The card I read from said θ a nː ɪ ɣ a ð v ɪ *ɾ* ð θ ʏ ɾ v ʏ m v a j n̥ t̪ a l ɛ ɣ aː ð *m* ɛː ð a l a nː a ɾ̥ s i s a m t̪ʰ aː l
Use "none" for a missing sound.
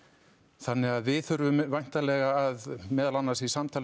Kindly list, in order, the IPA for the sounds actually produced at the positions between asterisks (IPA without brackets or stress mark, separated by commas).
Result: none, m